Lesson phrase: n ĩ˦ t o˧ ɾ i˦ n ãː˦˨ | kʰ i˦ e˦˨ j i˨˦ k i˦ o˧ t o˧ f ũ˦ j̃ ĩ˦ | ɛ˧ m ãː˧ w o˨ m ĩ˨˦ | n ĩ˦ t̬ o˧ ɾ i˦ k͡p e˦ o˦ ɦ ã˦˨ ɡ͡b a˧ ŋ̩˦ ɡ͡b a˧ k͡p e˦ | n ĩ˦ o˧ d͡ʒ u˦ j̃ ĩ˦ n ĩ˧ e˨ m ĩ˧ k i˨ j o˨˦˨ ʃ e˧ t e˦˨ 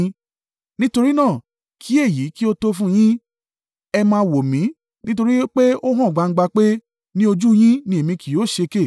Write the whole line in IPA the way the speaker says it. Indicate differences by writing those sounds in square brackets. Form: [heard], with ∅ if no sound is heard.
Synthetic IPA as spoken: n ĩ˦ t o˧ ɾ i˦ n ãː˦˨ | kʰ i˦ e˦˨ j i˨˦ k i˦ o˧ t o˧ f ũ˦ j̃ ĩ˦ | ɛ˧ m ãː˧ w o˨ m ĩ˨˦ | n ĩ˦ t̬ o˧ ɾ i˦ k͡p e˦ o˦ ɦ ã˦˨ ɡ͡b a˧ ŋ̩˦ ɡ͡b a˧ k͡p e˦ | n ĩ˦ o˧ d͡ʒ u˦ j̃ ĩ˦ n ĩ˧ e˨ m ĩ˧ k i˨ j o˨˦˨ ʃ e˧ [k] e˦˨

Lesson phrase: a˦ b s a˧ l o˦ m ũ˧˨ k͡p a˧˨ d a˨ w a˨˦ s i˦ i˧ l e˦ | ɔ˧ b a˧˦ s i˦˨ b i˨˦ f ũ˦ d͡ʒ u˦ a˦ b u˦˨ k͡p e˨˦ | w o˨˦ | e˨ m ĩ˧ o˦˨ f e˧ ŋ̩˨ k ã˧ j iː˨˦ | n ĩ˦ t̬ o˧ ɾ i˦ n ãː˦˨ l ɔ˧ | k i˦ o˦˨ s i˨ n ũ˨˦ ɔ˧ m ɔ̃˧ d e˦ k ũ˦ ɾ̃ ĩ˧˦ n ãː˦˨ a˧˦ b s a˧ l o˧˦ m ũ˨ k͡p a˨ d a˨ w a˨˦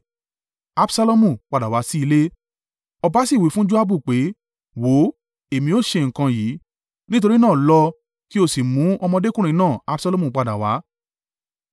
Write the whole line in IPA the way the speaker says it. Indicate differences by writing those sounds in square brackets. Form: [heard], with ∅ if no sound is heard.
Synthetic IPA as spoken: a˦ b s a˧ l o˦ m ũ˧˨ k͡p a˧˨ d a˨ w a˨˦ s i˦ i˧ l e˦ | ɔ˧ b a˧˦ s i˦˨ [w] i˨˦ f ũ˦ d͡ʒ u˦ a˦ b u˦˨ k͡p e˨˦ | w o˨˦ | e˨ m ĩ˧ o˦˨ [ʃ] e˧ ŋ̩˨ k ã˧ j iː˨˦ | n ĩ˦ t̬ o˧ ɾ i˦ n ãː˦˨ l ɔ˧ | k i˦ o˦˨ s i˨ [m] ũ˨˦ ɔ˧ m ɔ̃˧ d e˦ k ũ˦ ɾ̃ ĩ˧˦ n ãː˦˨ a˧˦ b s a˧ l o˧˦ m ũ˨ k͡p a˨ d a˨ w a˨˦

